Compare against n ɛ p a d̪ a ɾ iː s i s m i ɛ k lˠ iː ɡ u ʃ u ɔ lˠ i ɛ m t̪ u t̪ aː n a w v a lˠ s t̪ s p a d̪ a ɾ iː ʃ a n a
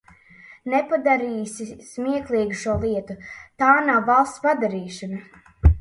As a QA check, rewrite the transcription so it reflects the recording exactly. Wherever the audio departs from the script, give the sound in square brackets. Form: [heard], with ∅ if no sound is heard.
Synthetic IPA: n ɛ p a d̪ a ɾ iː s i s m i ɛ k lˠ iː ɡ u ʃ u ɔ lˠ i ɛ [∅] t̪ u t̪ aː n a w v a lˠ s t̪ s p a d̪ a ɾ iː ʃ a n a